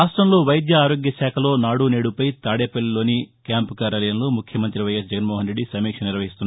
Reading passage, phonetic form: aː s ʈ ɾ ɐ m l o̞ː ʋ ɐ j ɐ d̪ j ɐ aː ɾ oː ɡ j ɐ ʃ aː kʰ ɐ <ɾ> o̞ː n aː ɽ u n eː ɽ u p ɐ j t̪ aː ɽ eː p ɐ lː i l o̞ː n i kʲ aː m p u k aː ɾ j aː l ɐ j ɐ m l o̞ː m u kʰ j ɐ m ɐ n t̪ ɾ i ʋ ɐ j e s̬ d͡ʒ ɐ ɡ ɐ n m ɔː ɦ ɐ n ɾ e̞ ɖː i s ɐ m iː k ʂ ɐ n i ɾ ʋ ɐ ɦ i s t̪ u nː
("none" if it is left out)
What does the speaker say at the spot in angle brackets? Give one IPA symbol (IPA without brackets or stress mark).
l